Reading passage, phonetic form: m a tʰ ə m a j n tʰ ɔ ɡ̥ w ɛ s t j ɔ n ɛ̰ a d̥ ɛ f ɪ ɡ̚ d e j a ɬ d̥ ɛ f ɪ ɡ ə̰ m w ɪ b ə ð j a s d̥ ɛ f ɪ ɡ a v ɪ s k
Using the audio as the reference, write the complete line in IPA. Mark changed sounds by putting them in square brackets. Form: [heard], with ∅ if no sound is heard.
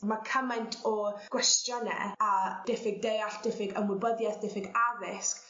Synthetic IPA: m a [kʰ] ə m a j n tʰ ɔ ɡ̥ w ɛ s t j ɔ n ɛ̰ a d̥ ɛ f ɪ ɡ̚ d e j a ɬ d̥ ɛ f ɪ ɡ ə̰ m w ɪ b ə ð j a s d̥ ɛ f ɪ ɡ a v ɪ s k